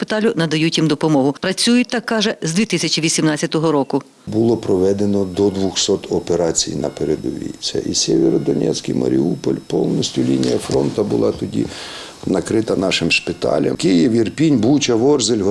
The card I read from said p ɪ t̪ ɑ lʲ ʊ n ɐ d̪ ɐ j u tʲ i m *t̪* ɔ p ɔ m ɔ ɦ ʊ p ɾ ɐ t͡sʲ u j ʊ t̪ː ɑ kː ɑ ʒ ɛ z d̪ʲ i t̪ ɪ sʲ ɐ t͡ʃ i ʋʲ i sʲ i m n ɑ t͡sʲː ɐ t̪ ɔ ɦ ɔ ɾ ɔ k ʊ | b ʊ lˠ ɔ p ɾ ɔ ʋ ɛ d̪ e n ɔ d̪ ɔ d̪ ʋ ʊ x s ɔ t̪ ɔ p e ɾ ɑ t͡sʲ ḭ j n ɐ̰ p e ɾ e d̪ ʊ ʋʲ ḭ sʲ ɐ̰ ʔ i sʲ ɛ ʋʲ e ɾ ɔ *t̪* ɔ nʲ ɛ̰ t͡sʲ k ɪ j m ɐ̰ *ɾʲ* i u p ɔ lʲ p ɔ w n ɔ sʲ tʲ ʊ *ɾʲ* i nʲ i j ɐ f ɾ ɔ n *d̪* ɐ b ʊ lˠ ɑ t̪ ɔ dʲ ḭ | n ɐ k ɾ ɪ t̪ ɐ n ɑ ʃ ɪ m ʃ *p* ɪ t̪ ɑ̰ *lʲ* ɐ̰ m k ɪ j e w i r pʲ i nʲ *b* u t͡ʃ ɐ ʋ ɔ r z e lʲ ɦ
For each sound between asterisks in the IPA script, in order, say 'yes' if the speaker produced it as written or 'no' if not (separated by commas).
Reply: no, no, yes, no, no, yes, yes, yes